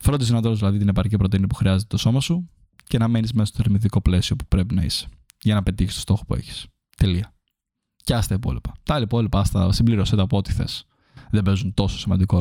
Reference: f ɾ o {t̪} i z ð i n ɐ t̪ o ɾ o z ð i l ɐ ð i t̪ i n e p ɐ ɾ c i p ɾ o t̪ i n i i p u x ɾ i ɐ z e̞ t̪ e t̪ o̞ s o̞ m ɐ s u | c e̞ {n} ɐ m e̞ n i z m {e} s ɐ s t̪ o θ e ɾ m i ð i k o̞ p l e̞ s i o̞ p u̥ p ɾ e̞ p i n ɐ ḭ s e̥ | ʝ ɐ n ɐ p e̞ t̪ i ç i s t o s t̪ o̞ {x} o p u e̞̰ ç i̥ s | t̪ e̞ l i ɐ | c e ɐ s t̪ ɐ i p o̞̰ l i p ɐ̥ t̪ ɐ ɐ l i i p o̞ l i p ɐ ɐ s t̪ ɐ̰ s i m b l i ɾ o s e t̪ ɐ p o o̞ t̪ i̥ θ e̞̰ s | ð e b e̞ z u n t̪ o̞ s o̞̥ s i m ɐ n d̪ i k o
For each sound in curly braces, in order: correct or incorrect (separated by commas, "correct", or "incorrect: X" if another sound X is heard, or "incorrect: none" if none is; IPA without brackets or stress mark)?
incorrect: d̪, correct, correct, correct